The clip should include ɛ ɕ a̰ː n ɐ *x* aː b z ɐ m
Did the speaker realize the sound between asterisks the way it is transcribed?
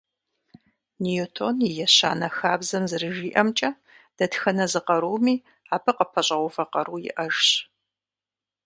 yes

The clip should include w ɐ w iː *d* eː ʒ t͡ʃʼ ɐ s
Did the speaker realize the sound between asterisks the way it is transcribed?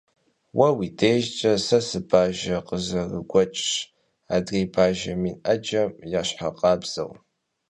yes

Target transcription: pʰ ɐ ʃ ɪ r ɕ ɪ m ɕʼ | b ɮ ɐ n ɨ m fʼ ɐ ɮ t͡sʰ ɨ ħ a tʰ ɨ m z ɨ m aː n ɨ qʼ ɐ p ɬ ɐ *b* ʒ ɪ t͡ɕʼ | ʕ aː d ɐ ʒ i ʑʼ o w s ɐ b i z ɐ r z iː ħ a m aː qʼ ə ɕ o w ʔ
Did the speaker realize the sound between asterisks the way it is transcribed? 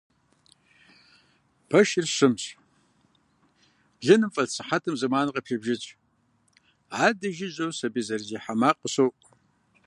yes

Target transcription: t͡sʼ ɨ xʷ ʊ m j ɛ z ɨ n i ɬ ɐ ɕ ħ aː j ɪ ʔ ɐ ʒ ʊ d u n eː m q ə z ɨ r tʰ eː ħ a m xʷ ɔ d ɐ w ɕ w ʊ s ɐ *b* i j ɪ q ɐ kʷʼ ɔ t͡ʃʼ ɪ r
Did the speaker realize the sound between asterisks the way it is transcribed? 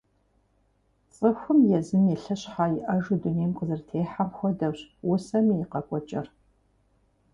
no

